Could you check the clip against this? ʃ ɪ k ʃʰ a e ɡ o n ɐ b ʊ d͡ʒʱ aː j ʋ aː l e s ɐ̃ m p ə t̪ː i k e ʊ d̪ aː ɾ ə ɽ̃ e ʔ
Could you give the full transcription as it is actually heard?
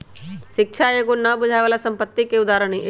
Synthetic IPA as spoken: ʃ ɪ k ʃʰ a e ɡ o n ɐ b ʊ d͡ʒʱ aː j ʋ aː l a s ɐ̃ m p ə t̪ː i k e ʊ d̪ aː ɾ ə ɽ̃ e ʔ